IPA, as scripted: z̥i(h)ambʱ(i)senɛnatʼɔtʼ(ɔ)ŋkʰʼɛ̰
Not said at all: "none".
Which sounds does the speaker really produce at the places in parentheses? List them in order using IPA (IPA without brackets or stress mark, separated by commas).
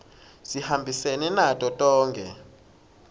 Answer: h, i, ɔː